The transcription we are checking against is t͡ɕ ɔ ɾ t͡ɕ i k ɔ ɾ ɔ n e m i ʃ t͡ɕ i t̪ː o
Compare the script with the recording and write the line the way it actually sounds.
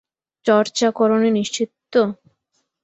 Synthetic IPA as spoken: t͡ɕ ɔ ɾ t͡ɕ a k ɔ ɾ o n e n i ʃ t͡ɕ i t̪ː o